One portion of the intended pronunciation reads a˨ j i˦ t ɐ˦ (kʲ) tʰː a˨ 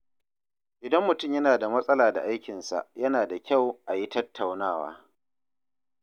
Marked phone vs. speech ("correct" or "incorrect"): incorrect